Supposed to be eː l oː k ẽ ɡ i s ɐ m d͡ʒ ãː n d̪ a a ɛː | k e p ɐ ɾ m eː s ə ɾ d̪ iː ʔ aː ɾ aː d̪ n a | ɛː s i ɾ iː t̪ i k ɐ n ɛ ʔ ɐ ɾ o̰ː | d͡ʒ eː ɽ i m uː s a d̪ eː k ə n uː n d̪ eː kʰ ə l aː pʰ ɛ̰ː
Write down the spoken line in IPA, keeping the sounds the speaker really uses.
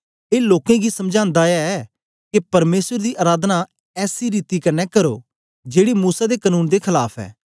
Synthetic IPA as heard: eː l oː k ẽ ɡ i s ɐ m d͡ʒ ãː n d̪ a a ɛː | k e p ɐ ɾ m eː s ə ɾ d̪ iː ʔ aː ɾ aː d̪ n a | ɛː s i ɾ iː t̪ i k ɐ n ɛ k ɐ ɾ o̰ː | d͡ʒ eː ɽ i m uː s a d̪ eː k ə n uː n d̪ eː kʰ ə l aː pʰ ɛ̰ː